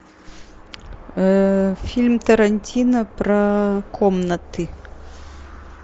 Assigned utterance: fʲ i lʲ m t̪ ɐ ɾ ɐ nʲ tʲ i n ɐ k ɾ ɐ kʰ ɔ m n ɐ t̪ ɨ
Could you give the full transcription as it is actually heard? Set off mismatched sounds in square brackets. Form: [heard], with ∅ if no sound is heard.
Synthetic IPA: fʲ i lʲ m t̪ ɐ ɾ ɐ nʲ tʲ i n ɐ [p] ɾ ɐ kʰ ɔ m n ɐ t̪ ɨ